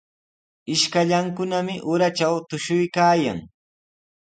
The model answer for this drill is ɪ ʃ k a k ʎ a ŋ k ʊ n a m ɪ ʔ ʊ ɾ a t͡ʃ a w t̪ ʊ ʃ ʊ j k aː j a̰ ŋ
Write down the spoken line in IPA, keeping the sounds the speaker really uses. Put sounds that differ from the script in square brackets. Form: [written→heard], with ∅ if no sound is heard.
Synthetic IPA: ɪ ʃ k a [k→∅] ʎ a ŋ k ʊ n a m ɪ ʔ ʊ ɾ a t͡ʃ a w t̪ ʊ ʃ ʊ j k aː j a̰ ŋ